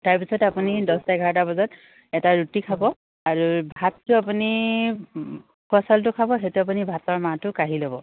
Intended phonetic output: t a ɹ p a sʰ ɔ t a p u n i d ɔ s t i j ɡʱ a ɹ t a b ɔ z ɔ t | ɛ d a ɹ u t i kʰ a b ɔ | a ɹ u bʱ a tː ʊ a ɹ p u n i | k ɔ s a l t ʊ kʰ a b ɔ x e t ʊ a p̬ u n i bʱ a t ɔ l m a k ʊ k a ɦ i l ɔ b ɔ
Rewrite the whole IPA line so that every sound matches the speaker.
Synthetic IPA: t a ɹ p i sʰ ɔ t a p u n i d ɔ s t a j ɡʱ a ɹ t a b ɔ z ɔ t | ɛ t a ɹ u t i kʰ a b ɔ | a ɹ u bʱ a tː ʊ a p u n i | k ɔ s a l t ʊ kʰ a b ɔ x e t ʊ a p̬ u n i bʱ a t ɔ ɹ m a t ʊ k a ɦ i l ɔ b ɔ